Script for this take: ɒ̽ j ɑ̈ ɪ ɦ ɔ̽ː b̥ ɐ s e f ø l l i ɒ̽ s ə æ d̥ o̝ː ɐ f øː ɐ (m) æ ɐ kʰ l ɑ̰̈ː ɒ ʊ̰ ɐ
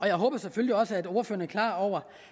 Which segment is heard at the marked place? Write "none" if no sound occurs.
n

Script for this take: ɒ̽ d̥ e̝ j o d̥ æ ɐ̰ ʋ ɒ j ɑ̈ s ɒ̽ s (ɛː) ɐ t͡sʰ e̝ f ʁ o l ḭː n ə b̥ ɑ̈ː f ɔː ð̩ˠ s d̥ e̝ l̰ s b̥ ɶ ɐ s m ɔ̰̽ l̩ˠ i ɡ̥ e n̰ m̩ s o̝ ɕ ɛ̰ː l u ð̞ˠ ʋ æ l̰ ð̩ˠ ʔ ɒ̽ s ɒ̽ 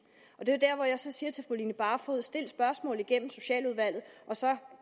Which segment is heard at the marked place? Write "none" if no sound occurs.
iː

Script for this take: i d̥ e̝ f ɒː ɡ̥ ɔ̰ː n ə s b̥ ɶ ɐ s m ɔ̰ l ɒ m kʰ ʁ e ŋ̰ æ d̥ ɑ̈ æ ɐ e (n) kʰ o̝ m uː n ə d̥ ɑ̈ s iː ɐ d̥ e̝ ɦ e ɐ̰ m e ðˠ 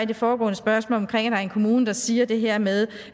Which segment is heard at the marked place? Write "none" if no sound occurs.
n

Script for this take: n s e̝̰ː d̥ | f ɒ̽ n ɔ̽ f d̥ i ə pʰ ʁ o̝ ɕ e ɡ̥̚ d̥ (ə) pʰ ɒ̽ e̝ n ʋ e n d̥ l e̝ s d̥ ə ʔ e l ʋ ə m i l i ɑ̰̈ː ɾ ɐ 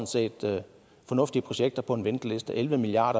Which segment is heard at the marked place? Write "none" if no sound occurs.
ɐ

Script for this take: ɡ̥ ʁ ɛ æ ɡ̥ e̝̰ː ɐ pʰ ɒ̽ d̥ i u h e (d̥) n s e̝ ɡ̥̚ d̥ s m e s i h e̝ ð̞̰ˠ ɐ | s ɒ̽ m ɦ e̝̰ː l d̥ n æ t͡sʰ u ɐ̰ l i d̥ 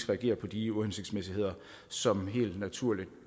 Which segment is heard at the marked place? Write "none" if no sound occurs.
none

